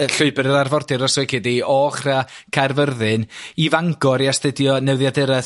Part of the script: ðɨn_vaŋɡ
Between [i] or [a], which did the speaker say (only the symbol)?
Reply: i